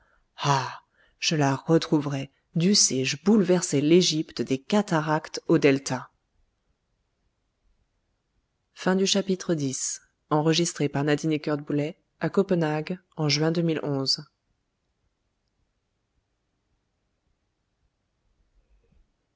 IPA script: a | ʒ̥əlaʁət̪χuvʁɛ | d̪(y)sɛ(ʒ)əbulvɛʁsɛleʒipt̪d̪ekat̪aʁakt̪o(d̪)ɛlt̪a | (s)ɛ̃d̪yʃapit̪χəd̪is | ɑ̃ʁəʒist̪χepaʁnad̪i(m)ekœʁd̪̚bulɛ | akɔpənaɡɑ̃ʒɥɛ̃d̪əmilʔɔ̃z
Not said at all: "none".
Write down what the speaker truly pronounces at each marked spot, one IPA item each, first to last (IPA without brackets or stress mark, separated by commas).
y, ʒ, d̪, f, n